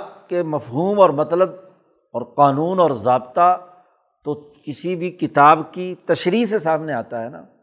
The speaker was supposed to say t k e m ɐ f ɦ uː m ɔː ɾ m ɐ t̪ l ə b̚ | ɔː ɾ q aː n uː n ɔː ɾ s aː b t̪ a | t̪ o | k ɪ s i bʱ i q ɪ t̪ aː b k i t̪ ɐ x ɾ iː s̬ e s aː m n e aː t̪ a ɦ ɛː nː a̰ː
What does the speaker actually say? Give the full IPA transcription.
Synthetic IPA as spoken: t k e m ɐ f ɦ uː m ɔː ɾ m ɐ t̪ l ə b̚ | ɔː ɾ q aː n uː n ɔː ɾ z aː b t̪ a | t̪ o | k ɪ s i bʱ i k ɪ t̪ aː b k i t̪ ɐ ʃ ɾ iː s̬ e s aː m n e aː t̪ a ɦ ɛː n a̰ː